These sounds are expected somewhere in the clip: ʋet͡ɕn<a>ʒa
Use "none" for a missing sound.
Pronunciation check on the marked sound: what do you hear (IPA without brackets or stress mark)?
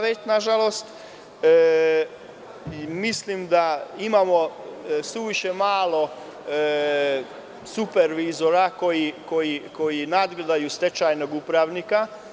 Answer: a